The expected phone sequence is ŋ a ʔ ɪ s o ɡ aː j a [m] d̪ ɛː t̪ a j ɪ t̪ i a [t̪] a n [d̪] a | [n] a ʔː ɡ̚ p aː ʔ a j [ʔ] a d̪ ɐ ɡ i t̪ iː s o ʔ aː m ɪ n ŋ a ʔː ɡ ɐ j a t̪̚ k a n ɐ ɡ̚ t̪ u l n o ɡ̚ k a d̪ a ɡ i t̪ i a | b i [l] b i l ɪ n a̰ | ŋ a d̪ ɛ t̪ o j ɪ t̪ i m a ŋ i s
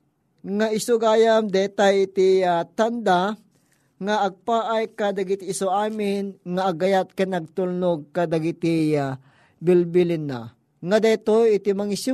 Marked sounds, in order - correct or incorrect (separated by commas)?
correct, correct, correct, incorrect, incorrect, correct